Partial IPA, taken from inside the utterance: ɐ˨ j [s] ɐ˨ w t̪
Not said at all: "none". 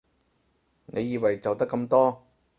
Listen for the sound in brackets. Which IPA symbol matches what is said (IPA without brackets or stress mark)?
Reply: t͡s